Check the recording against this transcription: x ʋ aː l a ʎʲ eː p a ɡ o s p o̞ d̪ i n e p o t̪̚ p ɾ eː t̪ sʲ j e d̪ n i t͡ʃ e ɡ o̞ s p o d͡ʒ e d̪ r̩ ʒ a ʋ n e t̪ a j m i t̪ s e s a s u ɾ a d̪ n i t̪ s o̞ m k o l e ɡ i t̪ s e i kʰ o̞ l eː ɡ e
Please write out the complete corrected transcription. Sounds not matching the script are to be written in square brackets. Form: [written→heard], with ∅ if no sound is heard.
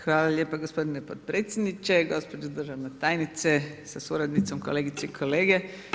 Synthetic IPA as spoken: x ʋ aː l a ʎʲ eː p a ɡ o s p o̞ d̪ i n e p o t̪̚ p ɾ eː t̪ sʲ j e d̪ n i t͡ʃ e ɡ o̞ s p o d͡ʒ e d̪ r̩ ʒ a ʋ n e t̪ a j [m→n] i t̪ s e s a s u ɾ a d̪ n i t̪ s o̞ m k o l e ɡ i t̪ s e i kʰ o̞ l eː ɡ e